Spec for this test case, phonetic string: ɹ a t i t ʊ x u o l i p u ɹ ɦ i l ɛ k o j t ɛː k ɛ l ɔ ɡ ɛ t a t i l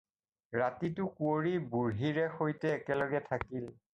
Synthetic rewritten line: ɹ a t i t ʊ k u o ɹ i b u ɹ ɦ i ɹ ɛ x o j t ɛː k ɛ l ɔ ɡ ɛ tʰ a k i l